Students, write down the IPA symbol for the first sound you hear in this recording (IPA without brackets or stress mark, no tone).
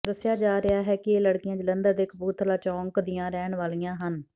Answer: d̪